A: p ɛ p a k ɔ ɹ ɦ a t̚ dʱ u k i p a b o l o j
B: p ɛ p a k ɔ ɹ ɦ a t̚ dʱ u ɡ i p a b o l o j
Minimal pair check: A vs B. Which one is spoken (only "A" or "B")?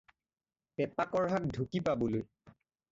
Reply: A